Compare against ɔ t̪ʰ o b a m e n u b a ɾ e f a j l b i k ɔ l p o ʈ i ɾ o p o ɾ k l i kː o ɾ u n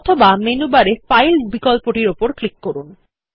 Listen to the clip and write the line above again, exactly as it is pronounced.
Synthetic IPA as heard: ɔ t̪ʰ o b a m e n u b a ɾ e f a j l b i k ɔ l p o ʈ i ɾ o p o ɾ k l i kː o ɾ u n